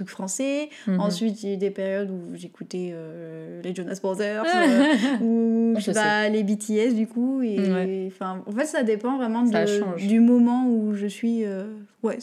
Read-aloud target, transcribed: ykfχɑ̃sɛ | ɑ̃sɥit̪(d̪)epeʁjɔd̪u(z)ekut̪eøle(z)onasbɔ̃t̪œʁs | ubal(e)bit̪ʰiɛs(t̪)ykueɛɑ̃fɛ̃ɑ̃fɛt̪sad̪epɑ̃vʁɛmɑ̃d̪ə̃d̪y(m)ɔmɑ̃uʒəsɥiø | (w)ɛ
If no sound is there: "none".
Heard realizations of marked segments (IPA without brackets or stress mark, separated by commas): d̪, ʒ, ʒ, e, d̪, m, w